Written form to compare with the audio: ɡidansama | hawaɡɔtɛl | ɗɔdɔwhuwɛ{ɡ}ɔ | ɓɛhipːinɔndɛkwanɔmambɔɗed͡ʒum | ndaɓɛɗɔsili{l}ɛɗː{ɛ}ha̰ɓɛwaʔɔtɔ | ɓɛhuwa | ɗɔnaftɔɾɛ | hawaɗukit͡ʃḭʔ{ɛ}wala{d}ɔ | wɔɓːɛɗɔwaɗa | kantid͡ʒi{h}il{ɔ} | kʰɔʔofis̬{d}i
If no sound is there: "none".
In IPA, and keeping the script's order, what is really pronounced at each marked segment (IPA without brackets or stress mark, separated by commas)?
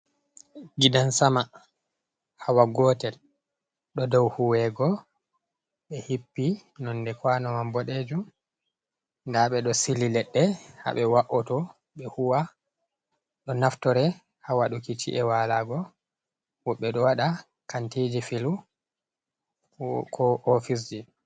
ɡ, l, ɛ, ɛ, ɡ, f, u, d͡ʒ